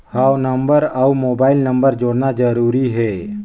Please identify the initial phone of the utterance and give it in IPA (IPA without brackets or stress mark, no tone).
h